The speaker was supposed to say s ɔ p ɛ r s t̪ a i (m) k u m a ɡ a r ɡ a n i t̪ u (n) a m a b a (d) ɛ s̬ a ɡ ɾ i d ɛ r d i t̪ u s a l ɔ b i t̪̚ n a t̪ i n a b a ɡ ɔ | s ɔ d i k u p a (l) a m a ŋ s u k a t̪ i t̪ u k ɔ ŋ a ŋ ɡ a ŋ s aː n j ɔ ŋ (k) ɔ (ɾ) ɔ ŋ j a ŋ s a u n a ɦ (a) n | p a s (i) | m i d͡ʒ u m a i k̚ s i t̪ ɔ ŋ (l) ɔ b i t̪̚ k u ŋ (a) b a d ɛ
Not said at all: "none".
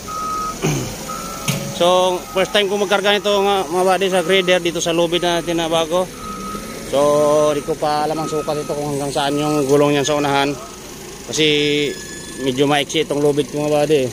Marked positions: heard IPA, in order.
m, ŋ, d, l, ɡ, l, a, i, l, a

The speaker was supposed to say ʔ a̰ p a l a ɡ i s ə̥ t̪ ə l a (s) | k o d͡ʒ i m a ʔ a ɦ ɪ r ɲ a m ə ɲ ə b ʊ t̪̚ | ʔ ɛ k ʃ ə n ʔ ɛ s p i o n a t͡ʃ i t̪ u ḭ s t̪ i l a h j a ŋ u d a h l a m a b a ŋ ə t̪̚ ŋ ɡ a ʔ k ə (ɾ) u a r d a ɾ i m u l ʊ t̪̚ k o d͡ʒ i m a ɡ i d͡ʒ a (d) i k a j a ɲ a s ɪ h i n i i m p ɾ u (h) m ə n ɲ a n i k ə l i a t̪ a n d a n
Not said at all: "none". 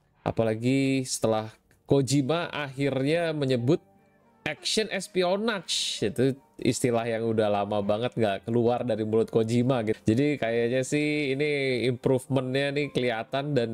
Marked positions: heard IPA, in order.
h, l, d, f

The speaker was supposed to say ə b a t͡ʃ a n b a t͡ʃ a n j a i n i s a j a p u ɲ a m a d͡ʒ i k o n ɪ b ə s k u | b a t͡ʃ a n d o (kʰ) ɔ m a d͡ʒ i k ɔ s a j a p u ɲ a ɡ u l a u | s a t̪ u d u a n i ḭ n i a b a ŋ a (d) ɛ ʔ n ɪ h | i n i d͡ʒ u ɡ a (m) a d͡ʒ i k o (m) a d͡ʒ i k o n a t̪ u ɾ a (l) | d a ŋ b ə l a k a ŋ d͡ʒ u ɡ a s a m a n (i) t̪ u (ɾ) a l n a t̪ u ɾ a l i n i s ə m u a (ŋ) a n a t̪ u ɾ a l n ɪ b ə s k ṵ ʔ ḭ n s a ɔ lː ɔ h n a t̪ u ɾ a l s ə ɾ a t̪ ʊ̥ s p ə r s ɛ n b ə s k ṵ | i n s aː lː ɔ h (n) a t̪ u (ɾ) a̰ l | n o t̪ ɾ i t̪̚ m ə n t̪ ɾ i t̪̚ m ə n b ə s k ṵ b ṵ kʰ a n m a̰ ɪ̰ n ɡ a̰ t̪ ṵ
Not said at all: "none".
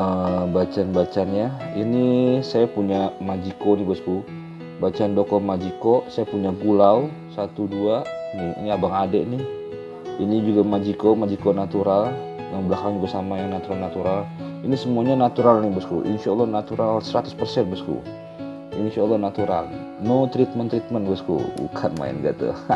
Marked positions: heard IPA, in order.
k, d, m, m, l, a, ɾ, ɲ, n, ɾ

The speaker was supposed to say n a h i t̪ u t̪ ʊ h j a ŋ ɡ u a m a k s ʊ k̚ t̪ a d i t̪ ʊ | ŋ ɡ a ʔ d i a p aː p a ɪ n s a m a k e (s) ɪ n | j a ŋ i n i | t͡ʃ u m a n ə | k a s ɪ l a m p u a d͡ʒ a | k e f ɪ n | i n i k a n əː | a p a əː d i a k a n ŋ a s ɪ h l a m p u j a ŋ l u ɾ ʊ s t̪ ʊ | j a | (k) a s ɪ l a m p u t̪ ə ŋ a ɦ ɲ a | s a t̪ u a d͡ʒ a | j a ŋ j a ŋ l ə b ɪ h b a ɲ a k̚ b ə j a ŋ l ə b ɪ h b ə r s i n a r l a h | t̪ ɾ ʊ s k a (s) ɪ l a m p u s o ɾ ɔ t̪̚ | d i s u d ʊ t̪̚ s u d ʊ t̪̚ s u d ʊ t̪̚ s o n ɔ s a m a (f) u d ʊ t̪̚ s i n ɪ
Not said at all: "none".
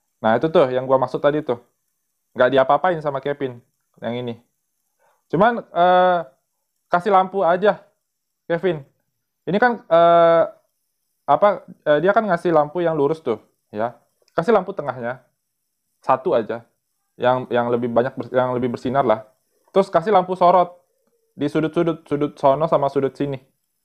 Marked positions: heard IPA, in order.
f, k, s, s

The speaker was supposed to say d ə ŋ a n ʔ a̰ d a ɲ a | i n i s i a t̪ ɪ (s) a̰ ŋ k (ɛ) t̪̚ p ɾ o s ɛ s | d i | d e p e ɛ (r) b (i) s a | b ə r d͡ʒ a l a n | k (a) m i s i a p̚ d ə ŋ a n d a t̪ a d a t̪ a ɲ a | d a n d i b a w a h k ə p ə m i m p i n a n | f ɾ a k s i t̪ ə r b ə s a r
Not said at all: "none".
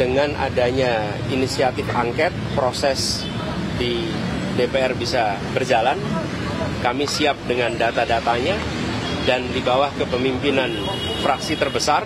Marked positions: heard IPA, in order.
f, ɛ, r, i, a

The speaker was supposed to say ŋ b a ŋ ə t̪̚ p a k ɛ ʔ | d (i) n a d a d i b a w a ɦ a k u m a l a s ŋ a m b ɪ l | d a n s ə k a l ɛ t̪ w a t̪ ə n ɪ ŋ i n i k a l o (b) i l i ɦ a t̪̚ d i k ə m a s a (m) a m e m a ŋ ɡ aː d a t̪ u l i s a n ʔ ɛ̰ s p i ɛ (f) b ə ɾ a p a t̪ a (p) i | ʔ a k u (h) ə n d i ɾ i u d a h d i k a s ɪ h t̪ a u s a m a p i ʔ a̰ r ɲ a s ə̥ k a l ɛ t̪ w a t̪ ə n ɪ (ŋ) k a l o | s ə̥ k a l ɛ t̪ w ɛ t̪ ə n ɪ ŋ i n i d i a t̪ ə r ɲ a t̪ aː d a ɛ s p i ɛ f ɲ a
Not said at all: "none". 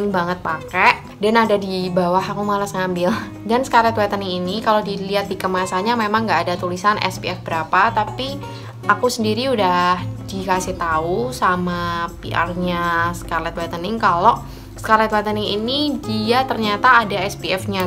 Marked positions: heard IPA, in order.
a, d, ɲ, f, p, s, ŋ

